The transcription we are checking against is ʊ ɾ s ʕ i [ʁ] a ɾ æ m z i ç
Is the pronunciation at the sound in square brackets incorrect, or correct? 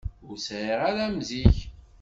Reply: correct